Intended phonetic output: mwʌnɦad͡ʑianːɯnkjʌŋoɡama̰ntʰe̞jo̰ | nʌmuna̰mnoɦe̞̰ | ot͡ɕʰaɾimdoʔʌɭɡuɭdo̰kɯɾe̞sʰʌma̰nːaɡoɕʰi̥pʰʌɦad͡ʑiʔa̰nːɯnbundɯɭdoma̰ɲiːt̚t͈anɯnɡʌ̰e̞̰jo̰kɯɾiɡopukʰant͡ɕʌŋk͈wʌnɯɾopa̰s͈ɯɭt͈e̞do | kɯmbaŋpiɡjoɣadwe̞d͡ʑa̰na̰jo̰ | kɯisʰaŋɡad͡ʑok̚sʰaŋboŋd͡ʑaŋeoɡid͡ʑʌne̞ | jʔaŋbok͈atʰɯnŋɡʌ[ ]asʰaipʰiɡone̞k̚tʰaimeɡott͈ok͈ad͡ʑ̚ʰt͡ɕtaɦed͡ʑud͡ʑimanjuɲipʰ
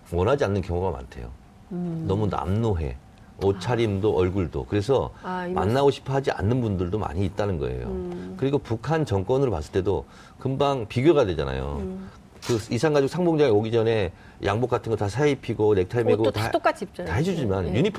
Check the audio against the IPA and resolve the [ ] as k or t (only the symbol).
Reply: t